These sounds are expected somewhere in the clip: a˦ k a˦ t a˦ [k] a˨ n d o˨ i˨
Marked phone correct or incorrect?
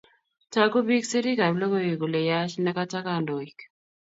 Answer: correct